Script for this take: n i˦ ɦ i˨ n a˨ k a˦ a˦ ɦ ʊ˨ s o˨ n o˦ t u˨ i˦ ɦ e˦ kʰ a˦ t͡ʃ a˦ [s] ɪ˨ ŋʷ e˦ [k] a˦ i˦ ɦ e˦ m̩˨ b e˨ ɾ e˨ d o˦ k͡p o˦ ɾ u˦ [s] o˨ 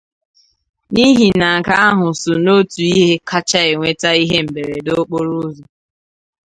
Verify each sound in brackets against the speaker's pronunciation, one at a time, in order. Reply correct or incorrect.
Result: incorrect: none, incorrect: t, incorrect: z

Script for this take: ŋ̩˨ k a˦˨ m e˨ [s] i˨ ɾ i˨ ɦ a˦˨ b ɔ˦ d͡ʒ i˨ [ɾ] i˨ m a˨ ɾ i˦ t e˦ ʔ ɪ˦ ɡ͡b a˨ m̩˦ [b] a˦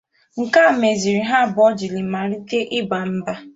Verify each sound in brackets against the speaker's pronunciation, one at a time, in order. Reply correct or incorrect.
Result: incorrect: z, incorrect: l, correct

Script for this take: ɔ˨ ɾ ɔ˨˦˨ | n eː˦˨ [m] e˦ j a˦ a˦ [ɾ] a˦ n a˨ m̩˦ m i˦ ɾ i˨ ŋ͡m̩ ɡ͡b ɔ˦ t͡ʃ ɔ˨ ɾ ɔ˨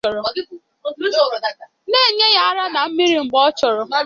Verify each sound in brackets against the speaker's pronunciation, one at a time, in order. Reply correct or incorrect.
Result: incorrect: ɲ, correct

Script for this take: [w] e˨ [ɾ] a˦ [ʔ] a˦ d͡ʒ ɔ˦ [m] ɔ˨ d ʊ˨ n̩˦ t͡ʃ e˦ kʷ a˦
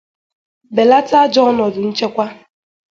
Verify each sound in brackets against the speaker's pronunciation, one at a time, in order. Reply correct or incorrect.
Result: incorrect: b, incorrect: l, incorrect: t, incorrect: n

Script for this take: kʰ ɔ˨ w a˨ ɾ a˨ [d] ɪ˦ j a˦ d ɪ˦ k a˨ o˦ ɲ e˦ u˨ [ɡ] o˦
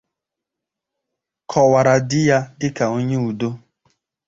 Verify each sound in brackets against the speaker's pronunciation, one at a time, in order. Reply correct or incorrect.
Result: correct, incorrect: d

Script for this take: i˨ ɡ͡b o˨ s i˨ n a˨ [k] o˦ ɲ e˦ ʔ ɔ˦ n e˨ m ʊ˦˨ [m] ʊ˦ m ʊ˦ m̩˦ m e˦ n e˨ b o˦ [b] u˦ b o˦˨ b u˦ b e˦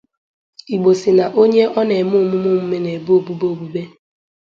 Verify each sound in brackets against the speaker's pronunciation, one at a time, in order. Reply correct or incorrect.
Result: incorrect: ʔ, correct, correct

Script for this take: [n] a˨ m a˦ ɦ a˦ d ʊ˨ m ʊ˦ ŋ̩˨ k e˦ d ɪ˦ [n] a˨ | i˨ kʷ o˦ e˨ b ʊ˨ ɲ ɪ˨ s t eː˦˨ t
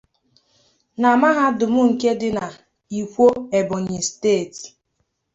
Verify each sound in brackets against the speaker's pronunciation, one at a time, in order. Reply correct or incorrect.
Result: correct, correct

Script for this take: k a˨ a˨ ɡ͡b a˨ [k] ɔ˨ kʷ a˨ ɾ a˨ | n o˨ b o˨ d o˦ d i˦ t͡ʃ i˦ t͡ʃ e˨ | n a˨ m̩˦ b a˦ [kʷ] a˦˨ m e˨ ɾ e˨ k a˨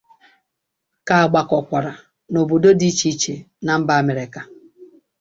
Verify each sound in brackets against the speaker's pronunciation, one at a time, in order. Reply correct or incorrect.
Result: correct, incorrect: none

